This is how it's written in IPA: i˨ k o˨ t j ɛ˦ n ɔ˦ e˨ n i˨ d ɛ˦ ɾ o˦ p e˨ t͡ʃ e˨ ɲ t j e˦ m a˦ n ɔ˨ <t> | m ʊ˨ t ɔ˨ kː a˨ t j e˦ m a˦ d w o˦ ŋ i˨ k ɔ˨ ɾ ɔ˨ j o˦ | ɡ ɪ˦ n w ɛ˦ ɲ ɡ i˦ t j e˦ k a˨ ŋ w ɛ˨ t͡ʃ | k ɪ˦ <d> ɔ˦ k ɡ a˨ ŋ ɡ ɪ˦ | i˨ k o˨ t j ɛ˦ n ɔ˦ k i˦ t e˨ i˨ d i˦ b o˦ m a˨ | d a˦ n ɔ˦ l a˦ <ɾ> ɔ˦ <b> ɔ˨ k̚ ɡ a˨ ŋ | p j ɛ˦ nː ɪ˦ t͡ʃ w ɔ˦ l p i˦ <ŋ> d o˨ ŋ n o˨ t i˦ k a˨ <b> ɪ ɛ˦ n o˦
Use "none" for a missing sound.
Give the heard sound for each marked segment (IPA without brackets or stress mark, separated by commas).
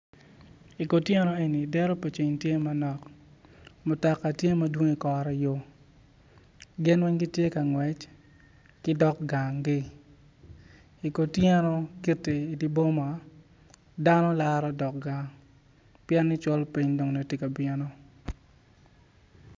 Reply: k, d, ɾ, d, ɲ, b